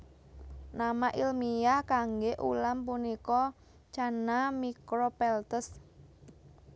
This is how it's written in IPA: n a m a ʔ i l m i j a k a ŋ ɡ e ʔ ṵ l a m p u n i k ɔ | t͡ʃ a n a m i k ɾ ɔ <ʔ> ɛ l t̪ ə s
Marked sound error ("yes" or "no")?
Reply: yes